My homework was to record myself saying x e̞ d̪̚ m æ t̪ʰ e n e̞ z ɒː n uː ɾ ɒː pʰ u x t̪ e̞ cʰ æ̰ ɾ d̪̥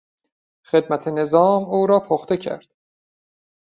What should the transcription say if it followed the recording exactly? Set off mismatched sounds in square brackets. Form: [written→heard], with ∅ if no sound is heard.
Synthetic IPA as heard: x e̞ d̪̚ m æ t̪ʰ e n e̞ z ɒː [n→m] uː ɾ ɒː pʰ [u→o] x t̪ e̞ cʰ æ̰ ɾ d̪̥